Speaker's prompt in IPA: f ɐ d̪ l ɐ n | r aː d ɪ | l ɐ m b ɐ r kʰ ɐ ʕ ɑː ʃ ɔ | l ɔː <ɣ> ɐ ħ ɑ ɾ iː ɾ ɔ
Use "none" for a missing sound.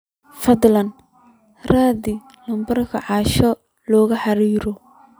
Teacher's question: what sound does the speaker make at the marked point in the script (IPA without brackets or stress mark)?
ɣ